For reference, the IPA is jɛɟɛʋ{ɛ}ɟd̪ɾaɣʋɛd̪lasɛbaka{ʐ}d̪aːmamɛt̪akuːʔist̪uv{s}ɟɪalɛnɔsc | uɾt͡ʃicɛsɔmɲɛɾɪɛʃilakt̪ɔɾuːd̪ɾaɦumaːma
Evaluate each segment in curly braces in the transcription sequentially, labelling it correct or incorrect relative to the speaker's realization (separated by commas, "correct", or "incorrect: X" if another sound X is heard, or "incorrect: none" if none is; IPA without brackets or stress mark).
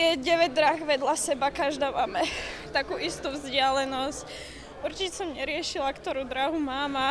correct, incorrect: ʒ, incorrect: z